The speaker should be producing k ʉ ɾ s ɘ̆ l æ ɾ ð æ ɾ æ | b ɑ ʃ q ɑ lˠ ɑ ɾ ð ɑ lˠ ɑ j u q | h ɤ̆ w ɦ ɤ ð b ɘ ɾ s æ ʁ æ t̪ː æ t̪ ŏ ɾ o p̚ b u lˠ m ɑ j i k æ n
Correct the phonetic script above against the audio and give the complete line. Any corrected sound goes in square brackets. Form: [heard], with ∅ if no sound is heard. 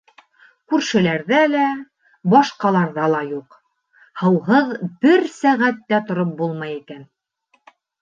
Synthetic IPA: k ʉ ɾ [ʃ] ɘ̆ l æ ɾ ð æ [l] æ | b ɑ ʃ q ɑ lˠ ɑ ɾ ð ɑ lˠ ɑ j u q | h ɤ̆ w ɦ ɤ ð b ɘ ɾ s æ ʁ æ t̪ː æ t̪ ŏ ɾ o p̚ b u lˠ m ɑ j i k æ n